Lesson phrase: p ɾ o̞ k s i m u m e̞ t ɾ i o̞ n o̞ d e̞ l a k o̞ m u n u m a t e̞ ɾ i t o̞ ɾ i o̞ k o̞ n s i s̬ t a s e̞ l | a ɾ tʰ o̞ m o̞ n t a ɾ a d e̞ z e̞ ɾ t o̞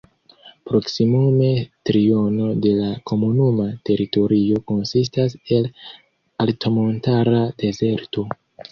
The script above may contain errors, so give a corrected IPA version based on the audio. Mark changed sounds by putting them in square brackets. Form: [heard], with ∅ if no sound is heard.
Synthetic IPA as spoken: p ɾ o̞ k s i m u m e̞ t ɾ i o̞ n o̞ d e̞ l a k o̞ m u n u m a t e̞ ɾ i t o̞ ɾ i o̞ k o̞ n s i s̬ t a s e̞ l | a [l] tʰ o̞ m o̞ n t a ɾ a d e̞ z e̞ ɾ t o̞